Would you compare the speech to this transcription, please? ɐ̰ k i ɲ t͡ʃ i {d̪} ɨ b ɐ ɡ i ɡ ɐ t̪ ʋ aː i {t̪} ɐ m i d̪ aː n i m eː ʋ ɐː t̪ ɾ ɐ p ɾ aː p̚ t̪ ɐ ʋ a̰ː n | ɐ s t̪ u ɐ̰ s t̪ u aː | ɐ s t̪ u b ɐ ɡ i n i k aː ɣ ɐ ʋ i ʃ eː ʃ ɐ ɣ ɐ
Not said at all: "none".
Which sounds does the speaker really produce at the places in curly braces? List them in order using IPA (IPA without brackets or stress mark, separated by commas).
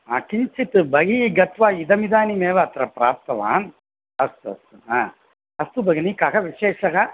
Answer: t̪, d̪